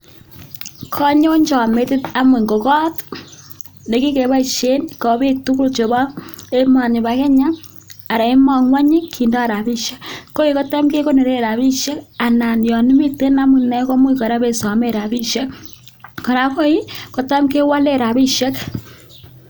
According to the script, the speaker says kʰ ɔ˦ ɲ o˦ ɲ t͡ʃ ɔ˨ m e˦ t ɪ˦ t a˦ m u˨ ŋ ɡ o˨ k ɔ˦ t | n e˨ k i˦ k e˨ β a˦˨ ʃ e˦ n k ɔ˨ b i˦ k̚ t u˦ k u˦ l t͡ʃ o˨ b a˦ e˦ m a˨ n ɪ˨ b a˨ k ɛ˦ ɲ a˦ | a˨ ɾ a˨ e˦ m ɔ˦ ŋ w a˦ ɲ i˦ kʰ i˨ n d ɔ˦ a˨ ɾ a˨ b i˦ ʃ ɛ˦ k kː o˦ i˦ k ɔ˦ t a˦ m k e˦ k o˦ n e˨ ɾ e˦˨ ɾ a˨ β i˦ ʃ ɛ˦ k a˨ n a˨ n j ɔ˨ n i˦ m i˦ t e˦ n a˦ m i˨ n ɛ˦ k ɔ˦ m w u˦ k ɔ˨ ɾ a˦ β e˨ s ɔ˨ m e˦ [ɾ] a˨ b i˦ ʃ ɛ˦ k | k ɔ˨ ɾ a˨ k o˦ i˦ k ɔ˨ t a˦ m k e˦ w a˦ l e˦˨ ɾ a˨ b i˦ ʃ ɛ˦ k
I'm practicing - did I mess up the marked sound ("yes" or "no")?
no